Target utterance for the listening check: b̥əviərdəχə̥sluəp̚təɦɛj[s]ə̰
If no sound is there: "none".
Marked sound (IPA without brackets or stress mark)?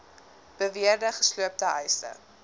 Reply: s